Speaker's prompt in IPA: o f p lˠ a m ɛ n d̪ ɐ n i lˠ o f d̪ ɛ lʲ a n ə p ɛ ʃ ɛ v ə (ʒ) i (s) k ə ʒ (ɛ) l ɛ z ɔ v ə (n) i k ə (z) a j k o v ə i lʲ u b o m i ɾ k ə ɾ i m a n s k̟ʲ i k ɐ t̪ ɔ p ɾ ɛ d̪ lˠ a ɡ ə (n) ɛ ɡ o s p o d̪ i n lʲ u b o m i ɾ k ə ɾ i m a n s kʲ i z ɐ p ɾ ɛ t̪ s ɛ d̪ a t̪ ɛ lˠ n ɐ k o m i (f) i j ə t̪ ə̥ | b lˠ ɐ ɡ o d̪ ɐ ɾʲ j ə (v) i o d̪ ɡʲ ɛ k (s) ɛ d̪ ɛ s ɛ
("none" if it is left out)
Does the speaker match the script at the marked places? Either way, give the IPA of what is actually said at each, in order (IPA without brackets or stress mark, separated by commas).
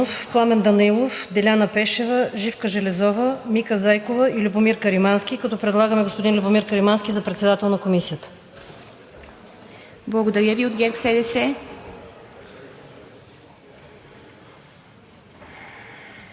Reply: ʒ, f, ɛ, m, z, m, s, v, s